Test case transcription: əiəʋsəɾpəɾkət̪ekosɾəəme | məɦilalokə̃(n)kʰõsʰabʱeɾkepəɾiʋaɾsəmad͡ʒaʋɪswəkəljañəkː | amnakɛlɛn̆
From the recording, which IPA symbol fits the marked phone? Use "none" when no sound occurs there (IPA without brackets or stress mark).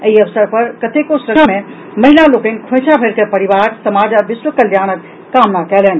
n